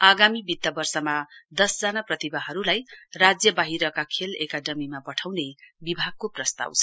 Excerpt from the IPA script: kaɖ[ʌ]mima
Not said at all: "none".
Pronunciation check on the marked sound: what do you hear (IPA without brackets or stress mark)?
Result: ʌ